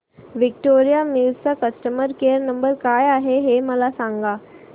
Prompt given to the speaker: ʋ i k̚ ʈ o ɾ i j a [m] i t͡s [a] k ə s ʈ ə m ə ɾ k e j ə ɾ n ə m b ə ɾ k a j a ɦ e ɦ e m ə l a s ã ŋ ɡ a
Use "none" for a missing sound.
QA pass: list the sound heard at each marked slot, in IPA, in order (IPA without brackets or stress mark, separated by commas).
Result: m, a